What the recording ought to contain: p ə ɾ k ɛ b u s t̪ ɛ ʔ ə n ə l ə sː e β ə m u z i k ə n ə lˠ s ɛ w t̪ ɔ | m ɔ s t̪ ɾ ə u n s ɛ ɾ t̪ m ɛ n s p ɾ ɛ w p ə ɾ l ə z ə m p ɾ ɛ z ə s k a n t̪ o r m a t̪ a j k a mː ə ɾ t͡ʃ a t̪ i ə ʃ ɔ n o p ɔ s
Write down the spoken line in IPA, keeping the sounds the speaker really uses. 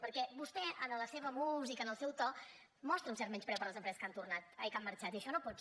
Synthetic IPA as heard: p ə ɾ k ɛ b u s t̪ ɛ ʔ ə n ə l ə s e β ə m u z i k ə n ə lˠ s ɛ w t̪ ɔ | m ɔ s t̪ ɾ ə u n s ɛ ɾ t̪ m ɛ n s p ɾ ɛ w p ə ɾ l ə z ə m p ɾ ɛ z ə s k a n t̪ u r n a t̪ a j k a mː ə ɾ t͡ʃ a t̪ i ə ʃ ɔ n o p ɔ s

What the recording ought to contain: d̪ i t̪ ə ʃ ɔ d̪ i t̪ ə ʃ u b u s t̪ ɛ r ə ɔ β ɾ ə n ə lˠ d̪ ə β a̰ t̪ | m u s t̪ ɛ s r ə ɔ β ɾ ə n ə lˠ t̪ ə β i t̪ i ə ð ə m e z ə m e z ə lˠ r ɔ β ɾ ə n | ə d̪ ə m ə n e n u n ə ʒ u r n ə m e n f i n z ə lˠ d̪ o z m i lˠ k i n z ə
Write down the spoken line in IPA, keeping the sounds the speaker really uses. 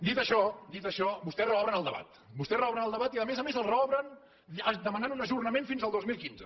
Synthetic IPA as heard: d̪ i t̪ ə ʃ ɔ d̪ i t̪ ə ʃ ɔ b u s t̪ ɛ r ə ɔ β ɾ ə n ə lˠ d̪ ə β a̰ t̪ | b u s t̪ ɛ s r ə ɔ β ɾ ə n ə lˠ d̪ ə β a t̪ i ə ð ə m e z ə m e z ə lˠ r ɔ β ɾ ə n | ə d̪ ə m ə n a n u n ə ʒ u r n ə m e n f i n z ə lˠ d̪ o z m i lˠ k i n z ə

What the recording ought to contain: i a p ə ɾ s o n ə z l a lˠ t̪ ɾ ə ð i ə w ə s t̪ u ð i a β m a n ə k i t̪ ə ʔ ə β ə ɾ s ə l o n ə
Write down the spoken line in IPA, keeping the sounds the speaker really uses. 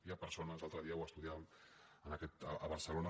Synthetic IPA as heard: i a p ə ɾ s o n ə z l a lˠ t̪ ɾ ə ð i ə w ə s t̪ u ð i a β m ə n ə k ɛ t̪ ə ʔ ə β ə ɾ s ə l o n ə

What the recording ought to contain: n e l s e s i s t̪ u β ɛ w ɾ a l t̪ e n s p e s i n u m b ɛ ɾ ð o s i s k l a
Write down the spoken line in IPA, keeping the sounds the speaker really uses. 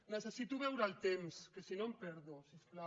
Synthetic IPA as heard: n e s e s i t̪ u β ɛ w ɾ a l t̪ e m s k e s i n o m p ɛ ɾ ð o s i s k l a

